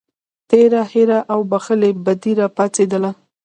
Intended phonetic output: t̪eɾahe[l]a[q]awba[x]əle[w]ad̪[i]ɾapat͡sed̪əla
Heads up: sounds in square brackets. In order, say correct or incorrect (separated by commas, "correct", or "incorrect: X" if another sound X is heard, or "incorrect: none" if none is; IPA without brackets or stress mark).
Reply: incorrect: ɾ, incorrect: ʔ, correct, incorrect: b, correct